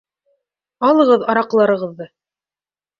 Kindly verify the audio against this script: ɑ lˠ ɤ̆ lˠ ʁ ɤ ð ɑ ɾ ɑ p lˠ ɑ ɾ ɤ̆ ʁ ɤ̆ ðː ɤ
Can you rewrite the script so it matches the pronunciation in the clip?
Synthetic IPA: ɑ lˠ ɤ̆ ʁ ɤ ð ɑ ɾ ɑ q lˠ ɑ ɾ ɤ̆ ʁ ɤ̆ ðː ɤ